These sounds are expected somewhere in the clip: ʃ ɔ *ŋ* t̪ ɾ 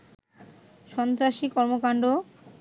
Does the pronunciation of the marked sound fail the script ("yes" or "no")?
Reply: yes